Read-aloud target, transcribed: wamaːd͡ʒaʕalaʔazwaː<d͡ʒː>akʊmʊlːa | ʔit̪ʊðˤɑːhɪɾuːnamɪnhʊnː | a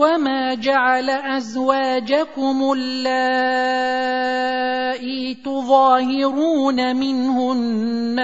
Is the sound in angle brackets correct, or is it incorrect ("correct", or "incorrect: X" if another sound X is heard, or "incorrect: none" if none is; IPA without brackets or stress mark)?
incorrect: d͡ʒ